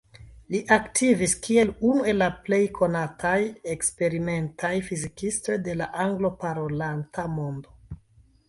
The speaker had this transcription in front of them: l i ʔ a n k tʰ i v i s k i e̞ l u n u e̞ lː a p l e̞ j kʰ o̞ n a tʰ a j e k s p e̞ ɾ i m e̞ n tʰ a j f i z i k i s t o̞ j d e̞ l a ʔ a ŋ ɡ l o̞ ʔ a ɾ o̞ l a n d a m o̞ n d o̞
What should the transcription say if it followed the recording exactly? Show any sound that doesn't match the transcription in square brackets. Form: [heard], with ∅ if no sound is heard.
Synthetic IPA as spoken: l i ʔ a [∅] k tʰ i v i s k i e̞ l u n u e̞ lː a p l e̞ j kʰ o̞ n a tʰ a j e k s p e̞ ɾ i m e̞ n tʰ a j f i z i k i s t o̞ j d e̞ l a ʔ a ŋ ɡ l o̞ [p] a ɾ o̞ l a n [t] a m o̞ n d o̞